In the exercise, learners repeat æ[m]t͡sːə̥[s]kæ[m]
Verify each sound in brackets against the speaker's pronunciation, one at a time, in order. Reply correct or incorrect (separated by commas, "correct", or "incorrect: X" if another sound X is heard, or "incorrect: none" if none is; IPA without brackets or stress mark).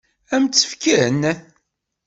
correct, incorrect: f, incorrect: n